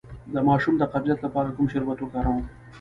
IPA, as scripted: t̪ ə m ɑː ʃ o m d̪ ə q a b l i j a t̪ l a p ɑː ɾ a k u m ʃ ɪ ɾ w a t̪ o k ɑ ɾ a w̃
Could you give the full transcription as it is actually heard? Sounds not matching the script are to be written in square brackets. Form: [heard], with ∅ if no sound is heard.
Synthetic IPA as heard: [d̪] ə m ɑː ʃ [u] m d̪ ə q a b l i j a t̪ l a p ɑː ɾ a k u m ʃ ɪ ɾ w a t̪ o k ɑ ɾ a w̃